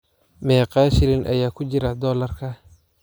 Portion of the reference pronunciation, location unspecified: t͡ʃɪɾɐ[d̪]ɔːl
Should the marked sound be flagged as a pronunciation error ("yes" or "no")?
no